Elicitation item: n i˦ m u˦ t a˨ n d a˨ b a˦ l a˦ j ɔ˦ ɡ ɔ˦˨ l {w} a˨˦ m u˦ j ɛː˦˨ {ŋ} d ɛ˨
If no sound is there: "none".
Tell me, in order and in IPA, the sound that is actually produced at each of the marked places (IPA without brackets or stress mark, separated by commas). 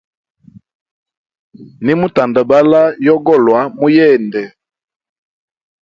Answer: w, n